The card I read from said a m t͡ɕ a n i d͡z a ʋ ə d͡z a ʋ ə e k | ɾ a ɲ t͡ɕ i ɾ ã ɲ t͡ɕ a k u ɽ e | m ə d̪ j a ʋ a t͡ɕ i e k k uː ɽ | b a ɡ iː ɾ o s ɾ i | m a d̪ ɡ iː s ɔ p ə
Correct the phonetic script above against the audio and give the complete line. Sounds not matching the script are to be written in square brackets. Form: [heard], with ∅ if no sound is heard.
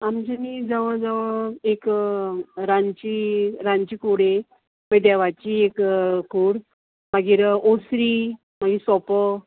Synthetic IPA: a m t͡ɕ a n i d͡z a ʋ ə d͡z a ʋ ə e k | ɾ a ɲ t͡ɕ i ɾ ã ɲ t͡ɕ [i] k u ɽ e | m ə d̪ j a ʋ a t͡ɕ i e k k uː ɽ | [m] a ɡ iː ɾ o s ɾ i | m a [∅] ɡ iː s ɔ p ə